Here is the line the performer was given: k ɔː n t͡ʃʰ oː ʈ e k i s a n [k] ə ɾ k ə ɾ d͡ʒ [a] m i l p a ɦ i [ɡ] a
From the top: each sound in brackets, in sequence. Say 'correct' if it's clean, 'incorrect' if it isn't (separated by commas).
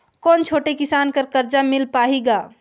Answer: correct, correct, correct